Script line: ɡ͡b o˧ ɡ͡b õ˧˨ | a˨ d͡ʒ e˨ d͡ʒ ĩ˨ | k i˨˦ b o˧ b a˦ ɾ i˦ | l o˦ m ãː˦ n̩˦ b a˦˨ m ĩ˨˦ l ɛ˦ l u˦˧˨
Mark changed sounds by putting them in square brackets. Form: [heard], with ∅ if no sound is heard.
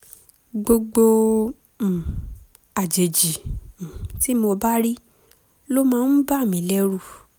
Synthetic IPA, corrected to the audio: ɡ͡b o˧ ɡ͡b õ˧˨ | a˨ d͡ʒ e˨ d͡ʒ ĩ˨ | [t] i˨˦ [m] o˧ b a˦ ɾ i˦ | l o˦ m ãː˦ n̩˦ b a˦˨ m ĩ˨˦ l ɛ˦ [ɾ] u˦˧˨